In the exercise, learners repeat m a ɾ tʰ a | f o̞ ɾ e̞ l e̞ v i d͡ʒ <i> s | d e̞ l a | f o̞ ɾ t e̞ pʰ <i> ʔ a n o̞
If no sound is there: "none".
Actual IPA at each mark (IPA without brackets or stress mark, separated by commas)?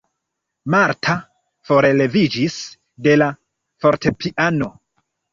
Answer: i, i